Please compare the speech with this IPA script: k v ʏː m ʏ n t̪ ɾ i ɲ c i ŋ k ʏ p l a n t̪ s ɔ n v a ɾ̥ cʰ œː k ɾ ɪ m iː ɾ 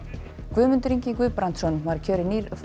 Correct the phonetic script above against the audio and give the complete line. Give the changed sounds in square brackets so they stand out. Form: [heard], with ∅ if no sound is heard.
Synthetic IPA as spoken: k v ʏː m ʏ n t̪ ɾ i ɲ c i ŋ k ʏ p [ɾ] a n t̪ s ɔ n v a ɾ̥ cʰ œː [∅] ɾ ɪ [n] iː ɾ